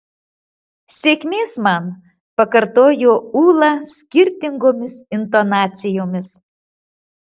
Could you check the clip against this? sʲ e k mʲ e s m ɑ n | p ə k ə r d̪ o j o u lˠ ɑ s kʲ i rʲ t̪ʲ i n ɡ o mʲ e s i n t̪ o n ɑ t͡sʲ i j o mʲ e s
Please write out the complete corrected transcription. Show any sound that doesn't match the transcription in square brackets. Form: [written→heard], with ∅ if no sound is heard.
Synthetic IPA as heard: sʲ e k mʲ e s m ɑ n | p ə k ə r [d̪→t̪] o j o u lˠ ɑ s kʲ i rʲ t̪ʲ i [n→ŋ] ɡ o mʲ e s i n t̪ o n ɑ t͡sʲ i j o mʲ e s